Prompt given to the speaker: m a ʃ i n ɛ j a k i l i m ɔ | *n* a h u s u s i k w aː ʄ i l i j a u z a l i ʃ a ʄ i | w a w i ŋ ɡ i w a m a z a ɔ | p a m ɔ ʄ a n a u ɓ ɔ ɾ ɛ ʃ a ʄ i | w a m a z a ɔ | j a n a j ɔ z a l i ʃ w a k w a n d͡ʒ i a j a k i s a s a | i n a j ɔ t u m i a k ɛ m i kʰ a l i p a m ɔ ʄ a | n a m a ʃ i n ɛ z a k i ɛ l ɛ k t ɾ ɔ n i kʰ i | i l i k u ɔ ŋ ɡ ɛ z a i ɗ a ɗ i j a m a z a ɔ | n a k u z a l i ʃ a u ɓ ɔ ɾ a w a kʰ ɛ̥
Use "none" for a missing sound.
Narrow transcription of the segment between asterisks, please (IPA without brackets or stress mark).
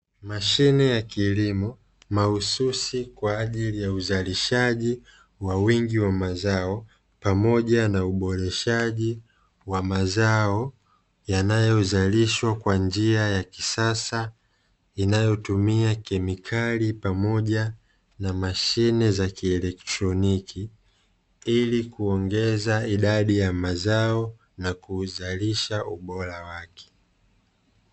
m